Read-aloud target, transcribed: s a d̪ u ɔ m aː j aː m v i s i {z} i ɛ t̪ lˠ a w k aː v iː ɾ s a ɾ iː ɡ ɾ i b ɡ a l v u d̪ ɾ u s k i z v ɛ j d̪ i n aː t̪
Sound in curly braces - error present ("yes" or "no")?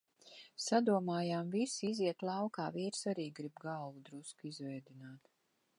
no